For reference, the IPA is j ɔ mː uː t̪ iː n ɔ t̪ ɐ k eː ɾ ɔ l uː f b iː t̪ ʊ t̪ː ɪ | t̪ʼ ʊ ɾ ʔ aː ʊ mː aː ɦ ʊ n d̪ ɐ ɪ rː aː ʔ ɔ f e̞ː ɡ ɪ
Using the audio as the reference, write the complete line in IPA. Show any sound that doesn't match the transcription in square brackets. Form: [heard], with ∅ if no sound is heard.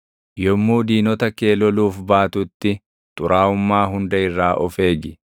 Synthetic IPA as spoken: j ɔ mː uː [d̪] iː n ɔ t̪ ɐ k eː [l] ɔ l uː f b [aː] t̪ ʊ t̪ː ɪ | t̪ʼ ʊ ɾ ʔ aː ʊ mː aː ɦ ʊ n d̪ ɐ ɪ rː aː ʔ ɔ f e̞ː ɡ ɪ